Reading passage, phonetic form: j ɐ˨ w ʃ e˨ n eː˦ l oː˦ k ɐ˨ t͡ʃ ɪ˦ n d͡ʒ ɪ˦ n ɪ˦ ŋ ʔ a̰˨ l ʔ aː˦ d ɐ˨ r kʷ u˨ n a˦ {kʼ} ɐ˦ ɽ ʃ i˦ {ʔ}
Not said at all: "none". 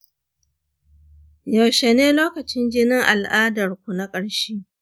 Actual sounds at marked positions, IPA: kʼ, none

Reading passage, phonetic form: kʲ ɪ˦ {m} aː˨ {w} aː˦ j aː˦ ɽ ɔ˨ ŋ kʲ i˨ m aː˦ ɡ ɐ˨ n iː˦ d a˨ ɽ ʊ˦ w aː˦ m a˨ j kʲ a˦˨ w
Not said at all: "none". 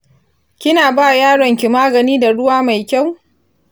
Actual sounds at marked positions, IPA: n, b

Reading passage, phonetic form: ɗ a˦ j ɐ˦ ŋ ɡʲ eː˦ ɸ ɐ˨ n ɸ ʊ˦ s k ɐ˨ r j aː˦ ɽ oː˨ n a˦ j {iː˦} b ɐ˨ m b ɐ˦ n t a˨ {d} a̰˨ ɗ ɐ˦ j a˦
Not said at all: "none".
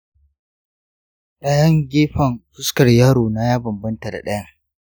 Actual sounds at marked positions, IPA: aː˦, d

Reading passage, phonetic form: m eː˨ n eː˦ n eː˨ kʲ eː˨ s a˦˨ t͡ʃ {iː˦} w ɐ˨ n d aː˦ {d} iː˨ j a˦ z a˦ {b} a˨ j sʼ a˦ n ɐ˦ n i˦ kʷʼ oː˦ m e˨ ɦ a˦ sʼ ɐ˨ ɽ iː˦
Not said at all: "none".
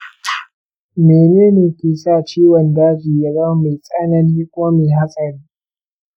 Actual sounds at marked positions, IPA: iː˦, d͡ʒ, m

